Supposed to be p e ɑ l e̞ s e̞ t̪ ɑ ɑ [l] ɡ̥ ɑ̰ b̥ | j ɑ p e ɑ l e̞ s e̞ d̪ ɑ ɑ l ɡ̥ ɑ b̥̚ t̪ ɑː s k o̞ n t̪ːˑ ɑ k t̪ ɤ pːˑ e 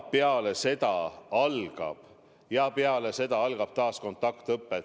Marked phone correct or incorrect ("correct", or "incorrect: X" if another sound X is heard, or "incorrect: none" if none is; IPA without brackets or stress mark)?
correct